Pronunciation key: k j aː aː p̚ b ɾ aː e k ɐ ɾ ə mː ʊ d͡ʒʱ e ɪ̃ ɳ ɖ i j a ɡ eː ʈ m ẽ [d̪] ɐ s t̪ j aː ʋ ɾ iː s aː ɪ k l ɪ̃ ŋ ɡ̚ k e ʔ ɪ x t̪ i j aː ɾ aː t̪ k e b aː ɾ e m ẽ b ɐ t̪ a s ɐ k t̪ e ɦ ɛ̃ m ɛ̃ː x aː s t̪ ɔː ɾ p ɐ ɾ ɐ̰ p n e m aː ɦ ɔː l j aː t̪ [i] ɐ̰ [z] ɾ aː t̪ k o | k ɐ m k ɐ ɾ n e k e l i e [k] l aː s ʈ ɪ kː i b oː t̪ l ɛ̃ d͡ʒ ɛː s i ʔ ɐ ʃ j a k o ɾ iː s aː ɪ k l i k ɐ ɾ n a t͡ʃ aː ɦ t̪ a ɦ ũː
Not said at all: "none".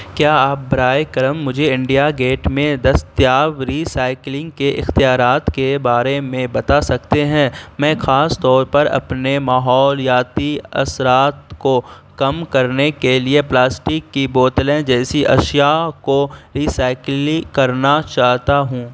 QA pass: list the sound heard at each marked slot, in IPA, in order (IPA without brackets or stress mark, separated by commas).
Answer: d̪, i, s, p